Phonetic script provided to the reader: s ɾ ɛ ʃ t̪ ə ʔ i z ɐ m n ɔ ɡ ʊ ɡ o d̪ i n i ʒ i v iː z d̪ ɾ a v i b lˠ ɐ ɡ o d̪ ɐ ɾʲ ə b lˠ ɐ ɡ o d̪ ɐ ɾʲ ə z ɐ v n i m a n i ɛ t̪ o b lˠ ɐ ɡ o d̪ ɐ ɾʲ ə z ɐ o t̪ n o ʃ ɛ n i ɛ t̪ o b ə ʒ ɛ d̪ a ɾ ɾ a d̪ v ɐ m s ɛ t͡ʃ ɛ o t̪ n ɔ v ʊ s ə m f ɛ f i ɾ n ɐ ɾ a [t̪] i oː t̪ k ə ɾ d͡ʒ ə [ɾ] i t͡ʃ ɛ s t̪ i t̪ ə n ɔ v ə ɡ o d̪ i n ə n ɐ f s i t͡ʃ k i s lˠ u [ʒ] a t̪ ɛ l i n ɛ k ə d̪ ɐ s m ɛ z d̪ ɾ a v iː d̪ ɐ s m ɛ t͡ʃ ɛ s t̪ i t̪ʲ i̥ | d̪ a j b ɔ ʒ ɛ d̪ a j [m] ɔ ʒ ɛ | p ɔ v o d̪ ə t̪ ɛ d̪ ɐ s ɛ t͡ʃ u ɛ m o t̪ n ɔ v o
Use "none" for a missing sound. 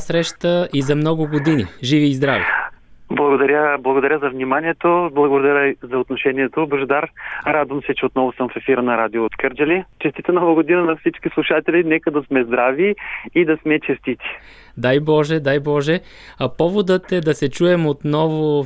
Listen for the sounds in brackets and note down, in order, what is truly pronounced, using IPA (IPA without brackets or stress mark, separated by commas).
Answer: d̪, l, ʃ, b